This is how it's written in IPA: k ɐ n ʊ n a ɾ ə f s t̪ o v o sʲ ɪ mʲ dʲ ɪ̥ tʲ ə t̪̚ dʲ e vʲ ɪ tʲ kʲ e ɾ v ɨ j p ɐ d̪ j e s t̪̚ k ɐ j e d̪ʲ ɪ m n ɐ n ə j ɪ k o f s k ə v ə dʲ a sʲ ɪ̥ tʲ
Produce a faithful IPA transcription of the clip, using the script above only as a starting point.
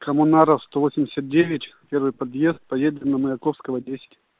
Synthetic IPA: k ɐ m ʊ n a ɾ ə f s t̪ o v o sʲ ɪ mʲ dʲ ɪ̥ sʲ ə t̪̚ dʲ e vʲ ɪ tʲ pʲ e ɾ v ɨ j p ɐ d̪ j e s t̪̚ p ɐ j e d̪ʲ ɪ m n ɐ m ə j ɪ k o f s k ə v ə dʲ e sʲ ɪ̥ tʲ